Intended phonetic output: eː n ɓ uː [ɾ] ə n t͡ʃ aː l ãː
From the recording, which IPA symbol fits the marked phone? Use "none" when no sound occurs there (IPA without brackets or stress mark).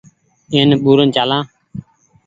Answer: ɾ